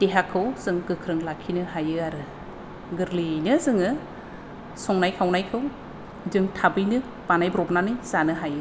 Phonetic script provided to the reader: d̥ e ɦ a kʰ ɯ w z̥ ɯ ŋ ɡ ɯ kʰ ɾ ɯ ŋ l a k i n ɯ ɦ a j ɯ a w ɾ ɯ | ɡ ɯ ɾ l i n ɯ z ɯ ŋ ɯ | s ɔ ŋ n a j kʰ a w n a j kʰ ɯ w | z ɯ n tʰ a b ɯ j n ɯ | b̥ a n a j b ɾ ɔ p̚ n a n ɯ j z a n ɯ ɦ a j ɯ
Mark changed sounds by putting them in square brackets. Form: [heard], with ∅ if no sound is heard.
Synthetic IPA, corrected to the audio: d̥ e ɦ a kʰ ɯ w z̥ ɯ ŋ ɡ ɯ kʰ ɾ ɯ ŋ l a [kʰ] i n ɯ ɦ a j ɯ a [∅] ɾ ɯ | ɡ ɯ ɾ l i n ɯ z ɯ ŋ ɯ | s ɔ ŋ n a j kʰ a w n a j kʰ ɯ w | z ɯ [ŋ] tʰ a b ɯ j n ɯ | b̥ a n a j b ɾ ɔ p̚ n a n ɯ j z a n ɯ ɦ a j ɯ